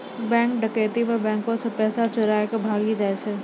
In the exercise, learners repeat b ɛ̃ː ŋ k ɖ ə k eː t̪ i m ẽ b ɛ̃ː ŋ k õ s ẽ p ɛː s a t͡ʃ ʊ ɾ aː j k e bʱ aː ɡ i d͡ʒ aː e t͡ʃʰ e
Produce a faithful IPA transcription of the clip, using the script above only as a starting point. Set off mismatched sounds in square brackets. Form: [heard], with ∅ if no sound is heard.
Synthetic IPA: b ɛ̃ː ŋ k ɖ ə k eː t̪ i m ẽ b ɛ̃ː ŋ k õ s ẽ p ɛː s a t͡ʃ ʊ ɾ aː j k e bʱ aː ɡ i d͡ʒ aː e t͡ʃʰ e